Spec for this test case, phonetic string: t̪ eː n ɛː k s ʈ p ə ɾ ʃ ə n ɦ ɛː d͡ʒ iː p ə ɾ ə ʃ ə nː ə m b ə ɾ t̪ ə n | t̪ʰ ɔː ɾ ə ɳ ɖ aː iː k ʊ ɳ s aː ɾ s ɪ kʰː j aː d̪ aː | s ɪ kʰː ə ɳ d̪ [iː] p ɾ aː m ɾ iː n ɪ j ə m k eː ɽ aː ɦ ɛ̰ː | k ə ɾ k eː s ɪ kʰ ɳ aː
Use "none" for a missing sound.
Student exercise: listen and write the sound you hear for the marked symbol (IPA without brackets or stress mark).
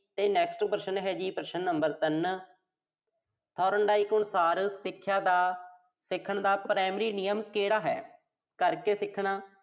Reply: aː